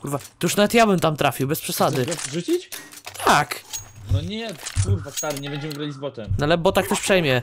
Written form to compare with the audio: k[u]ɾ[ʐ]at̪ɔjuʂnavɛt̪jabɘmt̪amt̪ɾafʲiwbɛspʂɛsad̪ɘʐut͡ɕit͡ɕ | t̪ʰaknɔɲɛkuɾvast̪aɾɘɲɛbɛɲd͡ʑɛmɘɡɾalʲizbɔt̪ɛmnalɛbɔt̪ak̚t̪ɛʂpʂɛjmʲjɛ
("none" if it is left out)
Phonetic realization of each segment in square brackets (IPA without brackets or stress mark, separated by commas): u, v